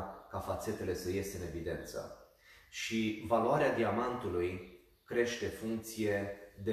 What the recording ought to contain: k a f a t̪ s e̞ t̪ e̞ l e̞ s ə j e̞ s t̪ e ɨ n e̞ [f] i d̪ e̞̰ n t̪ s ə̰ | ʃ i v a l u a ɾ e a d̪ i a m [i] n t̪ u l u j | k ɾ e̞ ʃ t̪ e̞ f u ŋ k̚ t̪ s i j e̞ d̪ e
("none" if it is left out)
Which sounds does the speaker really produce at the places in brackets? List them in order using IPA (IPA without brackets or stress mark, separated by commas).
v, a